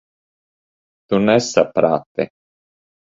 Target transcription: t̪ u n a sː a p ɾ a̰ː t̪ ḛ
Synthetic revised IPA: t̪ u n ɛ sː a p ɾ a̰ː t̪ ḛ